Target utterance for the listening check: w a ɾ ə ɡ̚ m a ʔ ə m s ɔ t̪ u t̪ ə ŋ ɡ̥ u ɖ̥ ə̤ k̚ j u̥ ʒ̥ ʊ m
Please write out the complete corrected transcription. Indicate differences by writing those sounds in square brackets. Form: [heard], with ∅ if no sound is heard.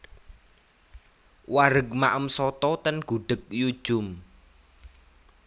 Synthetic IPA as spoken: w a ɾ ə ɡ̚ m a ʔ ə m s ɔ t̪ [ɔ] t̪ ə [n] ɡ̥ u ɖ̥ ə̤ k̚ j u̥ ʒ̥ ʊ m